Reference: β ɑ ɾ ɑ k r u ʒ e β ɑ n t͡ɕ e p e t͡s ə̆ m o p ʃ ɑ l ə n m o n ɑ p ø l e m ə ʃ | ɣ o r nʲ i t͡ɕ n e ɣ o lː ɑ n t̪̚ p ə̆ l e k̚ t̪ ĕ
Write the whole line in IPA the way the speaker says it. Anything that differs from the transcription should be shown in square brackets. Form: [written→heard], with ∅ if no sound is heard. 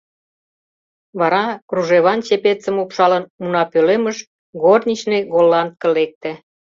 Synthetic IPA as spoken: β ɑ ɾ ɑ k r u ʒ e β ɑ n t͡ɕ e p e t͡s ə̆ m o p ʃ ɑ l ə n m [o→u] n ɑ p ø l e m ə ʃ | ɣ o r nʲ i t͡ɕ n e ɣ o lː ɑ n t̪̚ [p→k] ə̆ l e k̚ t̪ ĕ